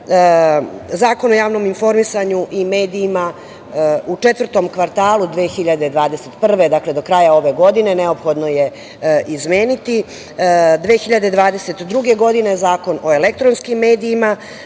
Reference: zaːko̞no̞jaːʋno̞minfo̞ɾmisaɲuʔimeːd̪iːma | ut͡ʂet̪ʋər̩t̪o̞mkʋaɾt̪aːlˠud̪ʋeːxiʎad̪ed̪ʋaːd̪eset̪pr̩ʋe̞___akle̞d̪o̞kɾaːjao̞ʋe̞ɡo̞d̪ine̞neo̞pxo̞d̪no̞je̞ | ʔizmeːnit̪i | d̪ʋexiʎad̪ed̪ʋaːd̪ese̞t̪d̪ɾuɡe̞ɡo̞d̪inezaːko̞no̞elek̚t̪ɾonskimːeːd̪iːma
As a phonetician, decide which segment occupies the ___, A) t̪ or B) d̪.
B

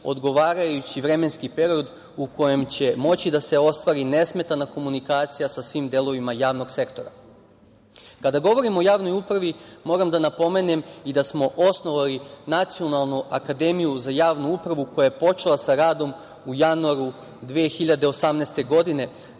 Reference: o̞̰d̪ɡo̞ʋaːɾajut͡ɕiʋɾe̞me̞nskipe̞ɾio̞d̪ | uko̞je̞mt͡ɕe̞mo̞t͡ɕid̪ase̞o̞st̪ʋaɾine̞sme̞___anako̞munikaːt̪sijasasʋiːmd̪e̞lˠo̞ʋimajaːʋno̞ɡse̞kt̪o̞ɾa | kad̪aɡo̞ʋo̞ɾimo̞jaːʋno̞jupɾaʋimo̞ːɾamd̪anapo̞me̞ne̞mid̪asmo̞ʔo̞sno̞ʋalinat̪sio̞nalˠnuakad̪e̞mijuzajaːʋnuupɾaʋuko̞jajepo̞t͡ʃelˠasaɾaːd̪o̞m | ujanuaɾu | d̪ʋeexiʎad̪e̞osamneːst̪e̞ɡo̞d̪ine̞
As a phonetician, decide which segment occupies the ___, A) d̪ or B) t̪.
B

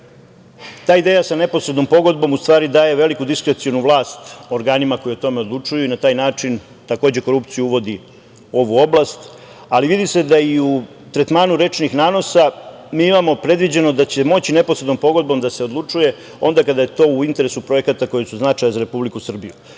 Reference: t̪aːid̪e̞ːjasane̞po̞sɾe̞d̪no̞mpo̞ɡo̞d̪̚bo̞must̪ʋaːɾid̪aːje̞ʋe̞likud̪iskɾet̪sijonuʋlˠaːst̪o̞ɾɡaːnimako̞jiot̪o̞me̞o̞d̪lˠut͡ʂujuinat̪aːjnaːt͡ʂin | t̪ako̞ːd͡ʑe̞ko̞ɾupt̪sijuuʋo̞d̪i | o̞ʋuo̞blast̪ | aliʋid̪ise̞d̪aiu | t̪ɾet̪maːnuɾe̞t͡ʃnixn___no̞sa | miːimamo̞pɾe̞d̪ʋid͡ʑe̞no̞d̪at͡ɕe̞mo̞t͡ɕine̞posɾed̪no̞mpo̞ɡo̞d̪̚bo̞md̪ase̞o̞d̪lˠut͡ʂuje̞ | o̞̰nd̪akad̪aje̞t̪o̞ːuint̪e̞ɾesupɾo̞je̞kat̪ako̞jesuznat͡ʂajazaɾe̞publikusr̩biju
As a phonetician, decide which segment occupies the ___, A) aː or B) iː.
A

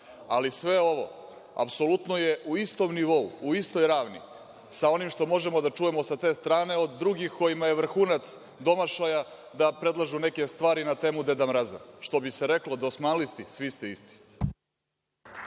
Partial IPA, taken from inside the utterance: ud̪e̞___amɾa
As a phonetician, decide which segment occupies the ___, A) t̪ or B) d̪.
B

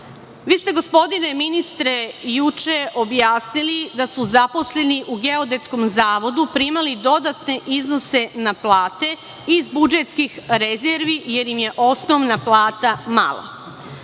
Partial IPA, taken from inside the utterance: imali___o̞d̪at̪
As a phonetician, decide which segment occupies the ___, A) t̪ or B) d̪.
B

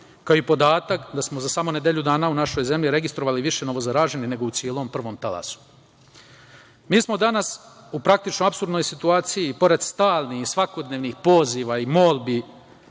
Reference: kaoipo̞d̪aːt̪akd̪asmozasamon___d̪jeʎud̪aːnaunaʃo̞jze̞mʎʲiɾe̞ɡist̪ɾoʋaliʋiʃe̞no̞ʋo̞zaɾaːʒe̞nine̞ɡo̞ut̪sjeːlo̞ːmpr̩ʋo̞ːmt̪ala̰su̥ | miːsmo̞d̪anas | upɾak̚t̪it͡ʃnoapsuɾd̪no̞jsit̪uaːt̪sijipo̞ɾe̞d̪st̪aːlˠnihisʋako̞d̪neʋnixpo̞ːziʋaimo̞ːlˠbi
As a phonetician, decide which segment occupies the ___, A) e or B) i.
A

